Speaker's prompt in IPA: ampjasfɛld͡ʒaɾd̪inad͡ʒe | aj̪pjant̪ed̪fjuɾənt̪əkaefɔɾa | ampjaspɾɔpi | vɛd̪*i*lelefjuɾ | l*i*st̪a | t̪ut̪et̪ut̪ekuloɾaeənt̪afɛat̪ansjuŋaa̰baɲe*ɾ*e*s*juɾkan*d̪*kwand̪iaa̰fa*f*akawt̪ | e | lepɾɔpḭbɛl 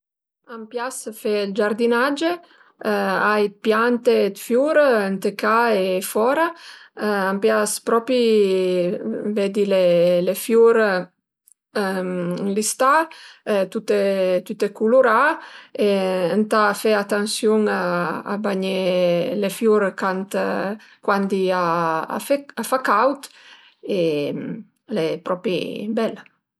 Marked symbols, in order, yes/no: yes, yes, no, no, no, yes

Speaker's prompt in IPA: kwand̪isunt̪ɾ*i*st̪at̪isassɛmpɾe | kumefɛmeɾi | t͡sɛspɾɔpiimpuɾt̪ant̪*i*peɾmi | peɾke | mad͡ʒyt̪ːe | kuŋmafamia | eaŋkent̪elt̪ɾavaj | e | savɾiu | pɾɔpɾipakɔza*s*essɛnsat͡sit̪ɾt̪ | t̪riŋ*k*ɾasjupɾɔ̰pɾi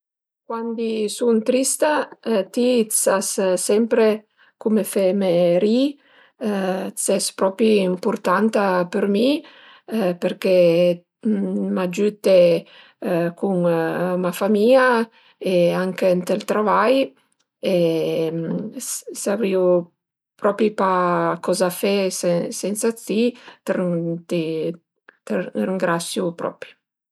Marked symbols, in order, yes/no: yes, no, no, no

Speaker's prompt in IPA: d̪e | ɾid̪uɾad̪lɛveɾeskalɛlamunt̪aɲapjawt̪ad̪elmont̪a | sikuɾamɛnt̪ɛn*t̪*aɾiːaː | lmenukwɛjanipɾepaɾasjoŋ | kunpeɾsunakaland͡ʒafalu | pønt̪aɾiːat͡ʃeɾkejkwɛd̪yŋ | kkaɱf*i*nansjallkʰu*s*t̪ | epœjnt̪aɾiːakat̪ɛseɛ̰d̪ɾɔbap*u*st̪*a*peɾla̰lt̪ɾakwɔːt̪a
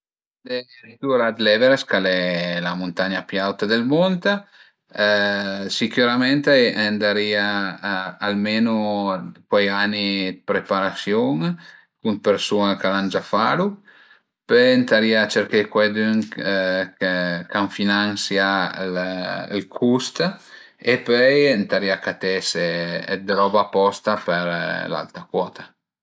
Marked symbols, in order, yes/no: no, yes, yes, no, yes

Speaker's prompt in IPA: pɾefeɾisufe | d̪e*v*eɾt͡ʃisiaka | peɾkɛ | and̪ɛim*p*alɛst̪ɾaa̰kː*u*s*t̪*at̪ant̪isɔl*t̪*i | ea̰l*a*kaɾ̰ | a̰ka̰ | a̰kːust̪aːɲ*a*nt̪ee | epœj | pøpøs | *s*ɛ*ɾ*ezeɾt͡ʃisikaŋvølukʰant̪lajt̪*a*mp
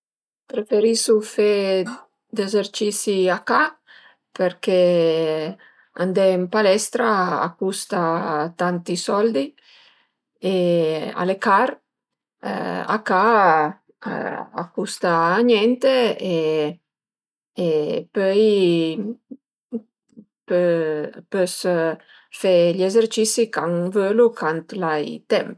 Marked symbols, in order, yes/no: no, yes, yes, yes, no, no, no, no, no, no

